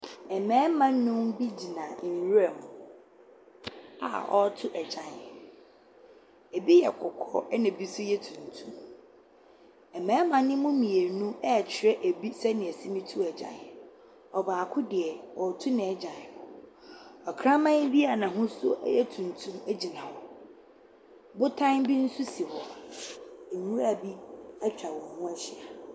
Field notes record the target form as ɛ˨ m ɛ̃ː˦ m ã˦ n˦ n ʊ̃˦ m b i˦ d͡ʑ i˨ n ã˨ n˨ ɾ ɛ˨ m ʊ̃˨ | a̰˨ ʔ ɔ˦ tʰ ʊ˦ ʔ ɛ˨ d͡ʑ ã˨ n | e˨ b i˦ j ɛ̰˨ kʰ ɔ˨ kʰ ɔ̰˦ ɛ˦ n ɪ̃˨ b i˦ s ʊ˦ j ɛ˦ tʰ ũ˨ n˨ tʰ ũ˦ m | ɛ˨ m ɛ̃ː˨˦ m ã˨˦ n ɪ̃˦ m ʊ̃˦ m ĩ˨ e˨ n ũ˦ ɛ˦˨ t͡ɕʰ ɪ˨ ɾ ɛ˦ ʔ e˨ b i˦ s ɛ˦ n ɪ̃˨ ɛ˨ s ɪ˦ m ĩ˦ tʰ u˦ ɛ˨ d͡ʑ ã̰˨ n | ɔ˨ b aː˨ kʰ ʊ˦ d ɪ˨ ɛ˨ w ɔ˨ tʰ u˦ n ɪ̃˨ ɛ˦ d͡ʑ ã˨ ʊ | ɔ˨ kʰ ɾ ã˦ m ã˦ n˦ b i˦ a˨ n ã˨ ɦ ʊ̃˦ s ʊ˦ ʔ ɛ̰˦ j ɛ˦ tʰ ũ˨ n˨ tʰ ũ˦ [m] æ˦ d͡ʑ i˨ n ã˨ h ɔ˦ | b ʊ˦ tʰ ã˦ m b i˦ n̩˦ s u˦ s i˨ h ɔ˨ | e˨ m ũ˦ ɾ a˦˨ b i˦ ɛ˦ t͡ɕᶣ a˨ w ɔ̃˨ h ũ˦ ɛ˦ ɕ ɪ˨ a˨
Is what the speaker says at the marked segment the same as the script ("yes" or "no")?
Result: yes